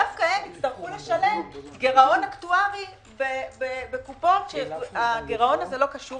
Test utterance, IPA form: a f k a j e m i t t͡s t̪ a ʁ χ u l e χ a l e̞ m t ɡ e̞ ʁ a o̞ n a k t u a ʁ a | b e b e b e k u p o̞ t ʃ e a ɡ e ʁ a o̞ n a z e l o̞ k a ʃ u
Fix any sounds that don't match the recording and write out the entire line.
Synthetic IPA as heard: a f k a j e m i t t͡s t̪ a ʁ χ u l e ʃ a l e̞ m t ɡ e̞ ʁ a o̞ n a k t u a ʁ i | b e b e b e k u p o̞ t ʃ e a ɡ e ʁ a o̞ n a z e l o̞ k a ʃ u